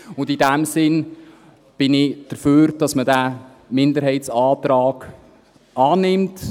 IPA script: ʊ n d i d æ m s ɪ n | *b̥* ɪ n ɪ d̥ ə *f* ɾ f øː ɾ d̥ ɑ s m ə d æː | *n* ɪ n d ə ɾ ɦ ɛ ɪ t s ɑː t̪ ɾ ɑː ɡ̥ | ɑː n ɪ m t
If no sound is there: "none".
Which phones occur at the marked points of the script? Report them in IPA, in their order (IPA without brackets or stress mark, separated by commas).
b̥, none, m